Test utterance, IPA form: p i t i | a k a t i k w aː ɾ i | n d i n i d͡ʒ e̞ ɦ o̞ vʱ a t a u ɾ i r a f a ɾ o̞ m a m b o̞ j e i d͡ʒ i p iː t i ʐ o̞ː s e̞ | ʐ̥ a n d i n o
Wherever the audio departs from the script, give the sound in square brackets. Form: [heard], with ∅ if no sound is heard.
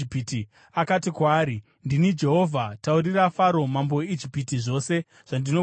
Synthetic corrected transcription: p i t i | a k a t i k w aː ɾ i | n d i n i d͡ʒ e̞ ɦ o̞ vʱ a t a u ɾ i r a f a ɾ o̞ m a m b o̞ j e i d͡ʒ i p [i] t i ʐ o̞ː s e̞ | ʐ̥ a n d i n o